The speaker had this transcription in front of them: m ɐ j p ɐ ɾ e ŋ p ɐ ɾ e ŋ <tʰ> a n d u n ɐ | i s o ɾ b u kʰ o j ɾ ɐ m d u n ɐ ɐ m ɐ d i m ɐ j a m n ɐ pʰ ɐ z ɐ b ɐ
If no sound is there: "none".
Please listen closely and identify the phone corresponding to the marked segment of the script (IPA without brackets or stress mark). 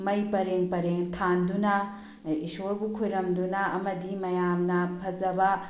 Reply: tʰ